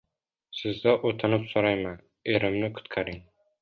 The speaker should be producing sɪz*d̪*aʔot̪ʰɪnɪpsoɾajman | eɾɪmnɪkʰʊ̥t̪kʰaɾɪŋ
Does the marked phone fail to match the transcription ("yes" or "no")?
no